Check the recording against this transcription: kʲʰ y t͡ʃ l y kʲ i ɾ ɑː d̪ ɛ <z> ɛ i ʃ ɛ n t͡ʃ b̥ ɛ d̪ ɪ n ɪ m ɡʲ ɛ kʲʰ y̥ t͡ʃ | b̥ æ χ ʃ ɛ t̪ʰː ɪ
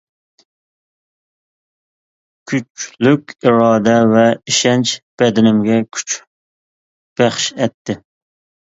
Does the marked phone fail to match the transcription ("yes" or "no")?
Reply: yes